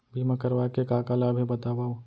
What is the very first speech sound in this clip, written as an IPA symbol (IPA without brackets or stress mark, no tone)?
bʱ